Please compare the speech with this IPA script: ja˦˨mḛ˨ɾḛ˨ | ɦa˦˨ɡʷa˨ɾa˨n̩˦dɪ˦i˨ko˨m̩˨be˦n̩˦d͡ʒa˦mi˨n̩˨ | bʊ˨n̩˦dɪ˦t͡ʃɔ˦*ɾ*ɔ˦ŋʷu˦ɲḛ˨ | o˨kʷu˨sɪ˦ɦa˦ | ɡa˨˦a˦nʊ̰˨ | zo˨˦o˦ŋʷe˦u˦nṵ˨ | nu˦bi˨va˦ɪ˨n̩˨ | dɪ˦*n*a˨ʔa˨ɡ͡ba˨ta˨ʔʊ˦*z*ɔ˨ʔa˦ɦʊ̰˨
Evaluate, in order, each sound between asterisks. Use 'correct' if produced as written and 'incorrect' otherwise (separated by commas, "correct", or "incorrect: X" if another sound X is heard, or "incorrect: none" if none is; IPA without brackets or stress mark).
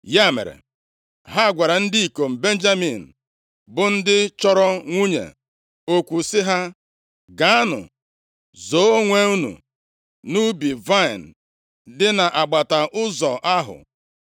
correct, correct, correct